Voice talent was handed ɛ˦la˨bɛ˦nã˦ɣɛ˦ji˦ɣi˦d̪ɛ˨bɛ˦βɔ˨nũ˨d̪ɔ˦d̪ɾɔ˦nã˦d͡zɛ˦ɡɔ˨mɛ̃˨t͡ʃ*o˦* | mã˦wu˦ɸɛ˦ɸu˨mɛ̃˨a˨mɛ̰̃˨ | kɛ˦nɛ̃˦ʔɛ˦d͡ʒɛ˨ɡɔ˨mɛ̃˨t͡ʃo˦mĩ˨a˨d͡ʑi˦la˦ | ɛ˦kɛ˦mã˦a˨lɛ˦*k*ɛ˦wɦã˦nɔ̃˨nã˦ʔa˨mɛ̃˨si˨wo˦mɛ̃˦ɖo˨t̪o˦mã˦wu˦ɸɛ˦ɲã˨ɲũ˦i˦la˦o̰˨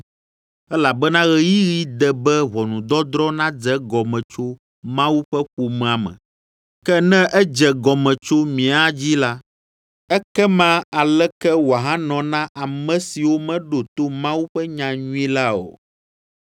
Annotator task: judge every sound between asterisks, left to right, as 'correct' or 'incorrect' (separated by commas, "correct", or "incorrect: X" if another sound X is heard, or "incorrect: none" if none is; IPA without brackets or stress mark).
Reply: correct, correct